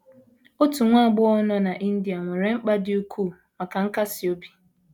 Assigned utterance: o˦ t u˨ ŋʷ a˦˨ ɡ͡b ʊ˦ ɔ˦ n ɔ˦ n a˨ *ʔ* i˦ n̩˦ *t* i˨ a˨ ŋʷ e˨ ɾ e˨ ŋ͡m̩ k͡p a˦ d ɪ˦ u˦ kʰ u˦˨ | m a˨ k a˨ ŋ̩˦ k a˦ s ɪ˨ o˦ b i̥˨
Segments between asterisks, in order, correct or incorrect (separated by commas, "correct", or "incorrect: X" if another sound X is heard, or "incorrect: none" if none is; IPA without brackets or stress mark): correct, incorrect: d